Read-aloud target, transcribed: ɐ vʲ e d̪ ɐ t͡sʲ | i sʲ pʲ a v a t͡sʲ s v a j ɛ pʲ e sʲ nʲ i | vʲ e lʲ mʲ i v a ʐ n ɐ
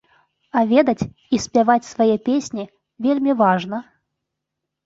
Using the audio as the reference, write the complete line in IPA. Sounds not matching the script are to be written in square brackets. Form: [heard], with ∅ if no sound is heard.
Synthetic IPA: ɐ vʲ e d̪ ɐ t͡sʲ | i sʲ pʲ a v a t͡sʲ s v a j ɛ pʲ e sʲ nʲ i | vʲ e lʲ mʲ i v a ʐ n ɐ